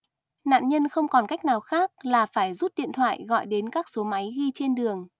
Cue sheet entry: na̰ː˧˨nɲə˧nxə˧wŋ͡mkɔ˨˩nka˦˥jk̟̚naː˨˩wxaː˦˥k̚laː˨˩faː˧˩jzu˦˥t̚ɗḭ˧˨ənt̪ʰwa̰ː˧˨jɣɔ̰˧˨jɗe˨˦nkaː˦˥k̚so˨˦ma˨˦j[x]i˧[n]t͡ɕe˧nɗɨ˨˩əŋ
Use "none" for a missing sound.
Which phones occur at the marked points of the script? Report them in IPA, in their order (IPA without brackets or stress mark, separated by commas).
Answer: ɣ, none